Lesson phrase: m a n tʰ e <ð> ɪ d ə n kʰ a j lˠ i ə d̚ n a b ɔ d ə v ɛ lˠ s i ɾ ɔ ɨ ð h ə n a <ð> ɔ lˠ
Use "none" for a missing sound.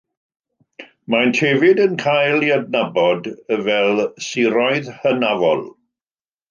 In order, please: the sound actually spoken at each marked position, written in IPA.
v, v

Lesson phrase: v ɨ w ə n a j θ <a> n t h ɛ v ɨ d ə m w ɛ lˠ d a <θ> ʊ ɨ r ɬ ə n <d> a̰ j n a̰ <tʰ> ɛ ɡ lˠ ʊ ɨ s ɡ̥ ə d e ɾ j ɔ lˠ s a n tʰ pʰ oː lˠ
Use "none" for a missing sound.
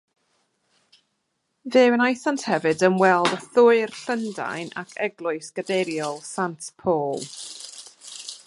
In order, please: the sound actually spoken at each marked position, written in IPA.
a, θ, d, kʰ

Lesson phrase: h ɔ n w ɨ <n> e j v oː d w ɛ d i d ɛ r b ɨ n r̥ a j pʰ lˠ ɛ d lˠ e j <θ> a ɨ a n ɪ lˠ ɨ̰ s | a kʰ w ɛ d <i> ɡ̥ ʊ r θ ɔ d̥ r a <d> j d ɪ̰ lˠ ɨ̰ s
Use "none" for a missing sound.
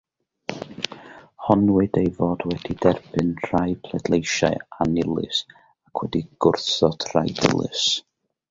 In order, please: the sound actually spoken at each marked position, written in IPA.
d, ʃ, i, none

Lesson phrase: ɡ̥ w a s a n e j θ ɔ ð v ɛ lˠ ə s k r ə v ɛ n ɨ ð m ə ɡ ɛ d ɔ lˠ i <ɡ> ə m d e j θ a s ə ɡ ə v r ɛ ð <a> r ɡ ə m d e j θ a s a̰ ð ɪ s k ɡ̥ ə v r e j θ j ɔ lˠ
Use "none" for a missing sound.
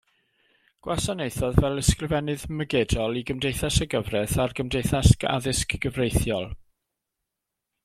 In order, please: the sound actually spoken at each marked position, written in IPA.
ɡ, a

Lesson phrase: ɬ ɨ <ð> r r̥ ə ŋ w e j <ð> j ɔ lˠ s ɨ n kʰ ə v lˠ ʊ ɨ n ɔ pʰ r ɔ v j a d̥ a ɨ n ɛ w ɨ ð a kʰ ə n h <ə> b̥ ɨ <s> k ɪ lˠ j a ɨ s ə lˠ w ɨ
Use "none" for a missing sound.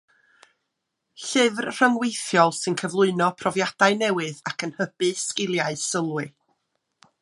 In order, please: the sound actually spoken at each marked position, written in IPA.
v, θ, ə, s

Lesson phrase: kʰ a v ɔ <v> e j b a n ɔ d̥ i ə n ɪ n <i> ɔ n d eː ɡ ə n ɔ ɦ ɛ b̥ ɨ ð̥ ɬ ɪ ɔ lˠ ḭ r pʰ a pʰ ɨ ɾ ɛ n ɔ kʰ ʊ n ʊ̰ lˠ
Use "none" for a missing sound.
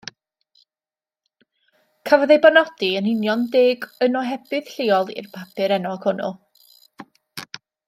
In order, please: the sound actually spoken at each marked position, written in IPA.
ð, j

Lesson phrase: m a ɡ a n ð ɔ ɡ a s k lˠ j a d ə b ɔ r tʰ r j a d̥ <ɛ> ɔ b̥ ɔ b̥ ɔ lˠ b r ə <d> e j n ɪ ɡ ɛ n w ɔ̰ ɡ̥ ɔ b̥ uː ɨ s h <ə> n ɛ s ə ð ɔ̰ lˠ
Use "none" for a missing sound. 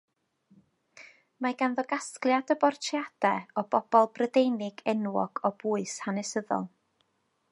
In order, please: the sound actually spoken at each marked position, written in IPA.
ɛ, d, a

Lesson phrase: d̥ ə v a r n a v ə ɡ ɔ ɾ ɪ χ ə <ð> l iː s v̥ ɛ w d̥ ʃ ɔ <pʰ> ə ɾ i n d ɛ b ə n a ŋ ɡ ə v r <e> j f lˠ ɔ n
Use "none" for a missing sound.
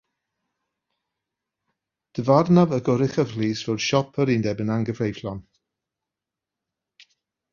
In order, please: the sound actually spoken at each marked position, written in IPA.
v, pʰ, e

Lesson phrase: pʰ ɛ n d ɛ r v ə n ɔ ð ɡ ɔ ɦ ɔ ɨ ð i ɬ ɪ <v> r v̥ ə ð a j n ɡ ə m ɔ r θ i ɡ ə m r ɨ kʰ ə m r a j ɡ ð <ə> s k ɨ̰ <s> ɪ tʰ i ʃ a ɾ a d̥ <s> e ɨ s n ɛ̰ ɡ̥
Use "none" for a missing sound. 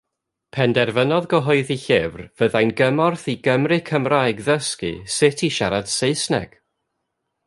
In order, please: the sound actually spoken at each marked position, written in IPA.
v, ə, s, s

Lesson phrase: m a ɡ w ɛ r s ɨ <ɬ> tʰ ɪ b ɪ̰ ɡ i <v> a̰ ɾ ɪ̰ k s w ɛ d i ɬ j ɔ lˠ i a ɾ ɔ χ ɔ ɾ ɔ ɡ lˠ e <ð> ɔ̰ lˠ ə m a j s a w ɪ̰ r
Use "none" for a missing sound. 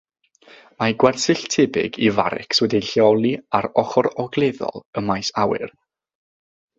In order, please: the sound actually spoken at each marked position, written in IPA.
ɬ, v, ð

